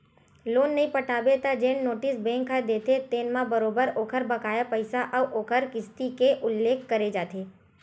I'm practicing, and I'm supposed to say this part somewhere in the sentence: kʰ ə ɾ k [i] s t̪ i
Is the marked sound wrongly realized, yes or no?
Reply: yes